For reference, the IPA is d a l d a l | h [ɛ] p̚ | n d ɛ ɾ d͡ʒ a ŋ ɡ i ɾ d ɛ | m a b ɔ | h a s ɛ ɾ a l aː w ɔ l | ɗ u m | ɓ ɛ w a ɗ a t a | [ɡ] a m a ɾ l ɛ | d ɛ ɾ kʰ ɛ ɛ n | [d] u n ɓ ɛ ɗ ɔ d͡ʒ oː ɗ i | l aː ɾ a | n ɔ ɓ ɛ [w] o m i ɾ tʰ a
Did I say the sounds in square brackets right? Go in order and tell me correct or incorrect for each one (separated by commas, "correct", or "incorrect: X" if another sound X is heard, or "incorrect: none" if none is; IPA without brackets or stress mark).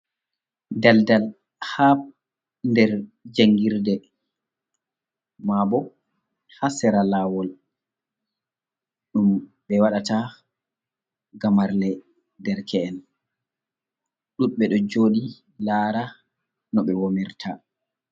incorrect: a, correct, incorrect: ɗ, correct